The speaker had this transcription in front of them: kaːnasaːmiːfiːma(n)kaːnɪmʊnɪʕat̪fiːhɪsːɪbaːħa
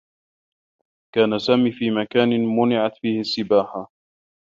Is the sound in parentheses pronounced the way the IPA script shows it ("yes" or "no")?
no